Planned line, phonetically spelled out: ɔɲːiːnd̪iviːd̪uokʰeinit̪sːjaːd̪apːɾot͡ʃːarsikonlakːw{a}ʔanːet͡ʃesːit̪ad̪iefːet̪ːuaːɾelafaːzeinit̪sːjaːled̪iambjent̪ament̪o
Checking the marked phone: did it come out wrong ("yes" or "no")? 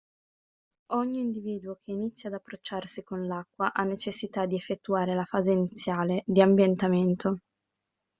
no